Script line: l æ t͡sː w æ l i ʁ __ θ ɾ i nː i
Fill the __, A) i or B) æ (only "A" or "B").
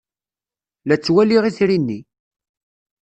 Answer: A